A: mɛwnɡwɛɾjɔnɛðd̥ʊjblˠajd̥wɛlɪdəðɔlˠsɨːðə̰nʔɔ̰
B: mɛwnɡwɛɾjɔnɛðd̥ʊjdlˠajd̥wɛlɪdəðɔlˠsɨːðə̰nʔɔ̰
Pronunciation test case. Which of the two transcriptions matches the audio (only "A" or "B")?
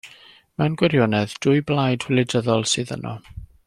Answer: A